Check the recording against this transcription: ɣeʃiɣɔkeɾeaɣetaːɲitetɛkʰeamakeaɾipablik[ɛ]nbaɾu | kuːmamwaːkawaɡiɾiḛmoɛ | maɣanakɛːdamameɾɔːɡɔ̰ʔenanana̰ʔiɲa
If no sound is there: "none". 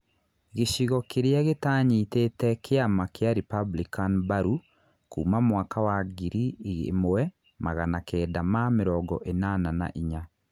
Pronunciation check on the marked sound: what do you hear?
a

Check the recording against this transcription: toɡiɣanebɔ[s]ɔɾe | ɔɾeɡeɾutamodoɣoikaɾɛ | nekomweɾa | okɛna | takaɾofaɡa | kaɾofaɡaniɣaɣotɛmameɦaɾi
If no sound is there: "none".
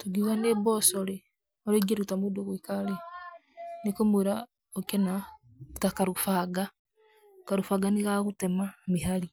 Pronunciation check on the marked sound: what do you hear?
s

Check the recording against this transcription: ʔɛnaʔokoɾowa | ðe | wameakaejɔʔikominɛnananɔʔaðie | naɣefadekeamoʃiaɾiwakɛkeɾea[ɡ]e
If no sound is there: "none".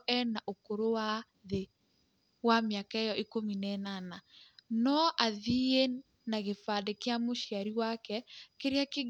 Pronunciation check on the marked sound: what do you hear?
k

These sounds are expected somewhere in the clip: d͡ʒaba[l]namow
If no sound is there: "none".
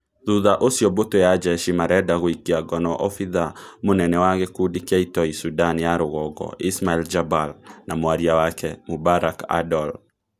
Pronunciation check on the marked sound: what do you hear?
l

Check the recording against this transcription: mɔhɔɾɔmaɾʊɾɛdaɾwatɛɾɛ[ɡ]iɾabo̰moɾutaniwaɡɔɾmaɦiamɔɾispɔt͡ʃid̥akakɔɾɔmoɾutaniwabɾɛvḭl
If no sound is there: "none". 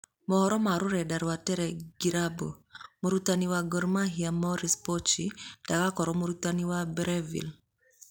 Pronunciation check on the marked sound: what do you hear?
ɡ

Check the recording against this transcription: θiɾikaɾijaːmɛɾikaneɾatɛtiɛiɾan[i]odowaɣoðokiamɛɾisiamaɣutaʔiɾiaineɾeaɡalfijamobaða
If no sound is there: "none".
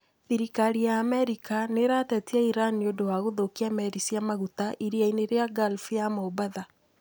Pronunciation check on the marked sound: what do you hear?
i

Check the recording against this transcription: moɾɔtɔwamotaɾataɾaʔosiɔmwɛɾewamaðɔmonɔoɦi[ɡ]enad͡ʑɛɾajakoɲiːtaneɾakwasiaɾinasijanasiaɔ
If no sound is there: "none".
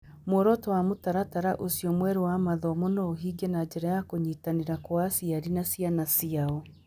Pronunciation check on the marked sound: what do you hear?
ɡ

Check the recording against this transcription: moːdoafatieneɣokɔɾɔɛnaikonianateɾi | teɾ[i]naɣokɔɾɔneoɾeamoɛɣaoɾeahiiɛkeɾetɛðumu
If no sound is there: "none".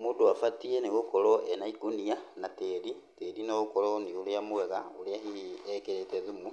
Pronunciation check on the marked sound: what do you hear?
i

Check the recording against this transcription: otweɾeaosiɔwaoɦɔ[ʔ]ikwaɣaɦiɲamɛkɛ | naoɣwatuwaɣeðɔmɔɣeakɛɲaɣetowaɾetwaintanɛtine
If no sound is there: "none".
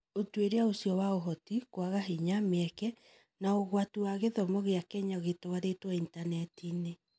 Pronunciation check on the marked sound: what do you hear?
t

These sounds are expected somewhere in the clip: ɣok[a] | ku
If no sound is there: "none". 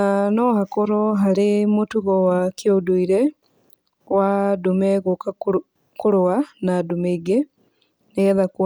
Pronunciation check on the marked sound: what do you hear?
a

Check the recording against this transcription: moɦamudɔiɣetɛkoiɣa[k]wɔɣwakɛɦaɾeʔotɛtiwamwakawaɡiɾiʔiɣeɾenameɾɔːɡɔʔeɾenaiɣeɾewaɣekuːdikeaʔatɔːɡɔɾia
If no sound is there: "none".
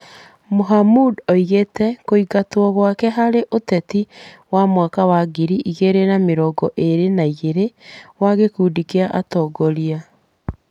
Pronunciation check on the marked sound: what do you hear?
t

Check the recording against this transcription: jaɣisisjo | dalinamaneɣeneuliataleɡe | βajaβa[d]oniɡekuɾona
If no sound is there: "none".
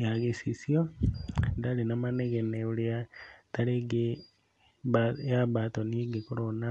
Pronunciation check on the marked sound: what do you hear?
t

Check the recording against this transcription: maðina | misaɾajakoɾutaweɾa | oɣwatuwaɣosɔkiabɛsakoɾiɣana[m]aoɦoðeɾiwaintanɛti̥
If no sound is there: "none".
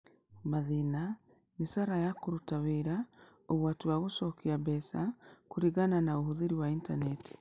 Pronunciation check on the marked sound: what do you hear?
n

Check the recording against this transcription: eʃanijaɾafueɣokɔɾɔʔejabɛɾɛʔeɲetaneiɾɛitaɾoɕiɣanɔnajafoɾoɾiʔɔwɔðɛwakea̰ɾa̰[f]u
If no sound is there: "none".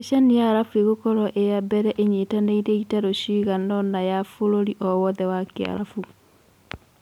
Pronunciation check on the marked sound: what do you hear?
f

